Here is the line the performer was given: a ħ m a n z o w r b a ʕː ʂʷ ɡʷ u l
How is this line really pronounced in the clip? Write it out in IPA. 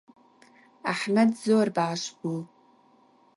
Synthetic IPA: a ħ m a d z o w r b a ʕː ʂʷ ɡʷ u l